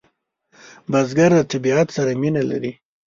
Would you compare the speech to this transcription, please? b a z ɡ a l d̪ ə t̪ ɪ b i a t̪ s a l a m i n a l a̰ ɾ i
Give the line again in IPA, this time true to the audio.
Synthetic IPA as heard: b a z ɡ a ɾ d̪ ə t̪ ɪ b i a t̪ s a ɾ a m i n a l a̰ ɾ i